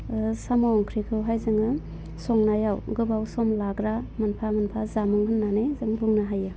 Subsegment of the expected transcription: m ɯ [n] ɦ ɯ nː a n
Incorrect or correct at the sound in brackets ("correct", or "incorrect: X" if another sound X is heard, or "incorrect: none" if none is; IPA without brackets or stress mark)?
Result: incorrect: ŋ